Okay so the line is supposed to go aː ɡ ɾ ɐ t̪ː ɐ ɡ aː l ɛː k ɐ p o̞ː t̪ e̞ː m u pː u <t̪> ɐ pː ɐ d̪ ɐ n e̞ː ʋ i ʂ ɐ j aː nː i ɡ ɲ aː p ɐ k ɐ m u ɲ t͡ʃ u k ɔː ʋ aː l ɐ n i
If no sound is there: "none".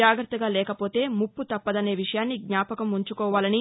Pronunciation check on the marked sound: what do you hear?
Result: t̪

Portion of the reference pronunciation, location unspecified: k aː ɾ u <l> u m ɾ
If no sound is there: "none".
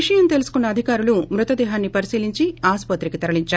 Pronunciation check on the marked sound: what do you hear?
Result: l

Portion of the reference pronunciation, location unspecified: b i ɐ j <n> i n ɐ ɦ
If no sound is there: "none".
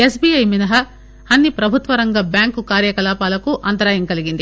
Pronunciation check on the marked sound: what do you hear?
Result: m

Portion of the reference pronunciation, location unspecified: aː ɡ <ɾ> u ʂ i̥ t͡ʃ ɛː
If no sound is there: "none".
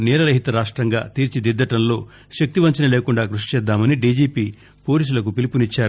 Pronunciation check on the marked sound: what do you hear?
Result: ɾ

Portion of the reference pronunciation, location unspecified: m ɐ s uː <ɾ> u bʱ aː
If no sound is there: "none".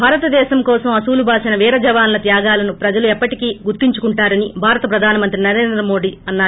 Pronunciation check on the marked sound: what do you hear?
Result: l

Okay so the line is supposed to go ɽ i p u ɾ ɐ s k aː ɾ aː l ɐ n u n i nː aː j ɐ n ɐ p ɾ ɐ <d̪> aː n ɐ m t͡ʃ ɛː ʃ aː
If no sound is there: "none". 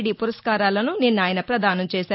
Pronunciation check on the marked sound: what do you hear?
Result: d̪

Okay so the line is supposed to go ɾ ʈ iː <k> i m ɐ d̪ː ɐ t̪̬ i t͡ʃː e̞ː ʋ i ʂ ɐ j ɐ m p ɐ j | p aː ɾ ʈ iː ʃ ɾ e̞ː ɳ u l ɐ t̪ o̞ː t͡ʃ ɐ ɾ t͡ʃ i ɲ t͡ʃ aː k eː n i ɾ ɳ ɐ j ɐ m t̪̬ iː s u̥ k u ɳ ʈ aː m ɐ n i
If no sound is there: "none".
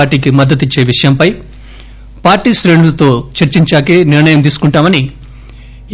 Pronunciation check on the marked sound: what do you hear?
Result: k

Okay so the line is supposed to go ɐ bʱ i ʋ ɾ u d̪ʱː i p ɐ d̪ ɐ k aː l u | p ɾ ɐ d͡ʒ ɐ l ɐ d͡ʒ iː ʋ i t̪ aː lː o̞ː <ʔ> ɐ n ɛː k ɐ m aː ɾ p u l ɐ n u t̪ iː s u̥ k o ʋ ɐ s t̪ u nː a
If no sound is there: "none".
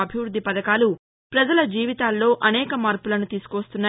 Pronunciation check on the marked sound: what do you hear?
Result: ʔ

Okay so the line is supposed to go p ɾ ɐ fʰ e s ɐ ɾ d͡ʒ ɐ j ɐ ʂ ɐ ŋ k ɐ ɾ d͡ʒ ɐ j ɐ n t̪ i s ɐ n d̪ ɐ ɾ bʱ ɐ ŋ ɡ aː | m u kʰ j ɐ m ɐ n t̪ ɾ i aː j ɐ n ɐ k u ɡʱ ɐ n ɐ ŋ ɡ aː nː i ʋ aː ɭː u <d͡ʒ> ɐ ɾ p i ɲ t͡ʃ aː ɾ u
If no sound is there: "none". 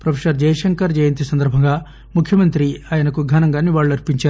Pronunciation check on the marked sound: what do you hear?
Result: none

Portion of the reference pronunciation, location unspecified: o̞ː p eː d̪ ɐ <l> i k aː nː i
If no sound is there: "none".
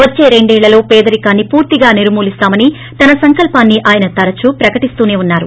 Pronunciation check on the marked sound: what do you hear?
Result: ɾ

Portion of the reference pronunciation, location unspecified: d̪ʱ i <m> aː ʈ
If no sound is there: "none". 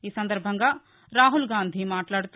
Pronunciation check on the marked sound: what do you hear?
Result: m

